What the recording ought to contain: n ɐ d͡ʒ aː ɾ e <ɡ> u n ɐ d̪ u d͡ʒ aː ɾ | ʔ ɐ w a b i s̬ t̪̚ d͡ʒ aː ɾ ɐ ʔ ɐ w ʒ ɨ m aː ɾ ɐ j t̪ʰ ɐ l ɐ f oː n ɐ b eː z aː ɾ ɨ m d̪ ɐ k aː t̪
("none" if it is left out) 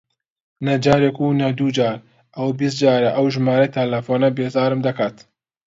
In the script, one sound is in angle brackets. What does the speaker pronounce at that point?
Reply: k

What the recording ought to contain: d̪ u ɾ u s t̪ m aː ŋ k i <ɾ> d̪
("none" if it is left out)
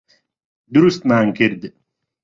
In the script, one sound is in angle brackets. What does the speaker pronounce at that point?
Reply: ɾ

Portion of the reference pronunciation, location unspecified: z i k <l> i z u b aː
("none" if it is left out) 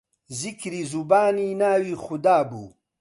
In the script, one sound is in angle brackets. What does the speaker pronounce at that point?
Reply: ɾ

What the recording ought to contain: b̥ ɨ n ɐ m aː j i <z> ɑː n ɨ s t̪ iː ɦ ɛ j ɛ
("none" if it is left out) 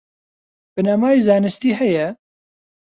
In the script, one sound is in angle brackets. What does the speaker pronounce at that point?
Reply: z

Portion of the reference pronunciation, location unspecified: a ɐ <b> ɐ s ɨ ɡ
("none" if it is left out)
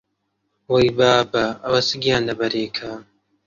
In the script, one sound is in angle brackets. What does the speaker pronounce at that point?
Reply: w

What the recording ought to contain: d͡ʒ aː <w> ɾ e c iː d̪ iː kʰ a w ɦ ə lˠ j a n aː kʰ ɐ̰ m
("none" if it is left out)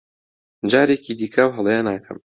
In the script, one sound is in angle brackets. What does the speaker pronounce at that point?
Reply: none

